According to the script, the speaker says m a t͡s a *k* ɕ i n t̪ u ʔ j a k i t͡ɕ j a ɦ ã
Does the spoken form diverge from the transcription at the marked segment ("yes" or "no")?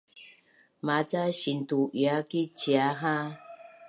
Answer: yes